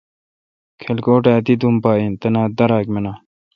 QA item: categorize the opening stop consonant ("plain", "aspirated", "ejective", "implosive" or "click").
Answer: aspirated